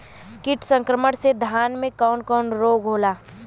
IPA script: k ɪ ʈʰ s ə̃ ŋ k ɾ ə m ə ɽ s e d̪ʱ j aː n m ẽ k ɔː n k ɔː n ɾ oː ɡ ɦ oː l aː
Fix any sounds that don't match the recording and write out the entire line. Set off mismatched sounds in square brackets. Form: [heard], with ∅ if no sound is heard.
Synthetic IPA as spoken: k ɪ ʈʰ s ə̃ ŋ k ɾ ə m ə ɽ s e d̪ʱ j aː n m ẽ k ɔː n k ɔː n ɾ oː ɡ ɦ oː l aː